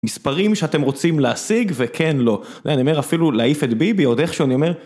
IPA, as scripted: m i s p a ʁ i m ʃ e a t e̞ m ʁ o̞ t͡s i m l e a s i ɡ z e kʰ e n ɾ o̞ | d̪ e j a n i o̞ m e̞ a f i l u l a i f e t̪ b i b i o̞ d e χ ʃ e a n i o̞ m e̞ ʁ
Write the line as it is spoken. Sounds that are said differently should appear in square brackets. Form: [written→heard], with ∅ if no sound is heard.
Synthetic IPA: m i s p a ʁ i m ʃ e a t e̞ m ʁ o̞ t͡s i m l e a s i ɡ [z→v] e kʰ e n [ɾ→l] o̞ | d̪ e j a n i o̞ m e̞ a f i l u l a i f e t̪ b i b i o̞ d e χ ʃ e a n i o̞ m e̞ ʁ

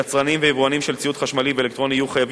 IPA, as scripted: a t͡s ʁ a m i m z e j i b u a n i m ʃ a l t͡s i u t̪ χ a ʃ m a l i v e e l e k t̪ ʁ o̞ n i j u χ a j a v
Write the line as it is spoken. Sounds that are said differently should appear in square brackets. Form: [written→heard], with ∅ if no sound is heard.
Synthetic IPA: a t͡s ʁ a [m→n] i m [z→v] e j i [b→v] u a n i m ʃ [a→e] l t͡s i u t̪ χ a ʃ m a l i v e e l e k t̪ ʁ o̞ n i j u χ a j a v

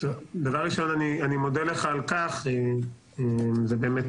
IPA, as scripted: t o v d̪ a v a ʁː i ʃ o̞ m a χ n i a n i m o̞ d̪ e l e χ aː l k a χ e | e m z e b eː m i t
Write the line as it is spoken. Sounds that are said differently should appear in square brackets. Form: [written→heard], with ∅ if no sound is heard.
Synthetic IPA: t o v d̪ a v a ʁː i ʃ o̞ [m→n] a [χ→∅] n i a n i m o̞ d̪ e l e χ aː l k a χ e | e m z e b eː m [i→e] t

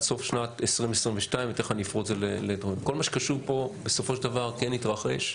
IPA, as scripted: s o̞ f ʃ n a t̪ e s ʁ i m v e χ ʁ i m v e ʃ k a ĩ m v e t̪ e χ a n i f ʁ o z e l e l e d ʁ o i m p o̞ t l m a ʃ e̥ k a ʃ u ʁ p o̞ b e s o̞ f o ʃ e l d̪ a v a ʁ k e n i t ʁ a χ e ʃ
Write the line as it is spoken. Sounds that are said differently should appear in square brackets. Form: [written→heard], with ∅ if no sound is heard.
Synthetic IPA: s o̞ f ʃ n a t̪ e s ʁ i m v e [χ→s] ʁ i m v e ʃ [k→t] a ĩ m v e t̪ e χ a n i f ʁ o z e l e l e d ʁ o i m [p→k] o̞ [t→∅] l m a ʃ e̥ k a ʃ u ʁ p o̞ b e s o̞ f o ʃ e l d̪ a v a ʁ k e n i t ʁ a χ e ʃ

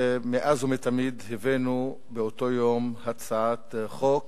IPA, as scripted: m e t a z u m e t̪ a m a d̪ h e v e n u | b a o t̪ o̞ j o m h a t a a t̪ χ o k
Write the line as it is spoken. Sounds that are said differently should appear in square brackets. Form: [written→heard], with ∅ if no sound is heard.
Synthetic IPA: m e [t→ʔ] a z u m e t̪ a m [a→i] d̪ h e v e n u | b [a→e] o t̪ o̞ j o m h a [t→t͡s] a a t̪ χ o k

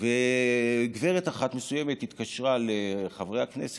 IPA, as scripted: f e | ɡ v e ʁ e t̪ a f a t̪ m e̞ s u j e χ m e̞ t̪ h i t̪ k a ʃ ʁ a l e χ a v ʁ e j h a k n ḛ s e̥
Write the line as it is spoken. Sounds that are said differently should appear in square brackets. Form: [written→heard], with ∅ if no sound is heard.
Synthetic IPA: [f→v] e | ɡ v e ʁ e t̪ a [f→χ] a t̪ m e̞ s u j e [χ→∅] m e̞ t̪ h i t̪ k a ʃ ʁ a l e χ a v ʁ e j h a k n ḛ s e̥

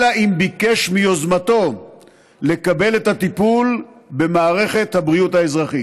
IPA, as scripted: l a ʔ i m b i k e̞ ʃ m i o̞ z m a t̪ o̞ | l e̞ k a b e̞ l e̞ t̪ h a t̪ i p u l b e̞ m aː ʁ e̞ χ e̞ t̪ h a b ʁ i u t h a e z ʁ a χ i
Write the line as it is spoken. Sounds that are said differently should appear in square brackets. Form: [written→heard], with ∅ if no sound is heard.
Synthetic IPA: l a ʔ i m b i k e̞ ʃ m i o̞ z m a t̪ o̞ | l e̞ k a b e̞ l e̞ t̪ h a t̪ i p u l b e̞ m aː ʁ e̞ χ e̞ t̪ h a b ʁ i u t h a e z ʁ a χ i

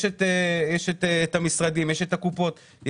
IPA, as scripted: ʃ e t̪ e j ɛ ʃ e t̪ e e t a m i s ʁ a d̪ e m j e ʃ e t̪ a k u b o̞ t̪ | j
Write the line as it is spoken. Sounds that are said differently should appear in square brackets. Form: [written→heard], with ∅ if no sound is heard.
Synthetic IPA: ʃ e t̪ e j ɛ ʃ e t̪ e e t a m i s ʁ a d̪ [e→i] m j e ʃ e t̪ a k u [b→p] o̞ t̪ | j

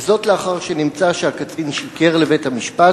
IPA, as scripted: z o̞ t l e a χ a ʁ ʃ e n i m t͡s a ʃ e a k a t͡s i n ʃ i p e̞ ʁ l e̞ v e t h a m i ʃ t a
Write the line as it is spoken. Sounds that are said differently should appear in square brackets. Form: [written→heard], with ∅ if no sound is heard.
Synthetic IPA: z o̞ t l e a χ a ʁ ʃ e n i m t͡s a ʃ e a k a t͡s i n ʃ i [p→k] e̞ ʁ l e̞ v e t h a m i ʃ [t→p] a

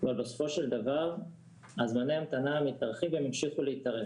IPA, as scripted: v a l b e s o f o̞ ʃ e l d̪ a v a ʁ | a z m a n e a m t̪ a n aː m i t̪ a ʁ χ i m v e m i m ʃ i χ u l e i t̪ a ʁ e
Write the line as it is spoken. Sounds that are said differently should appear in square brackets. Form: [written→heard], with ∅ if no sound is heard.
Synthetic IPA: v a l b e s o f o̞ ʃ e l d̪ a v a ʁ | a z m a n e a m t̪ a n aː m i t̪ a ʁ χ i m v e m i m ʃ i χ u l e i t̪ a ʁ e

